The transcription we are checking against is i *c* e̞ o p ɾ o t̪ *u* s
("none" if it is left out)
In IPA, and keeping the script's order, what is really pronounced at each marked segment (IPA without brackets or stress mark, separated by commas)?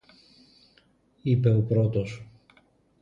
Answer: p, o